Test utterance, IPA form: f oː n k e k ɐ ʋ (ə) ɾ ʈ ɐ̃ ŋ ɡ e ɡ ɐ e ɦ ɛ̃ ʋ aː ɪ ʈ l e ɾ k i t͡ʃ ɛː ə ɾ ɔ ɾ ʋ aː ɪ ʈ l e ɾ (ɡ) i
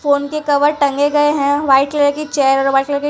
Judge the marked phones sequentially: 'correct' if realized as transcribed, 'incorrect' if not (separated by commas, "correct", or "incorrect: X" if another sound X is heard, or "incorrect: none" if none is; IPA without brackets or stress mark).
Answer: correct, incorrect: k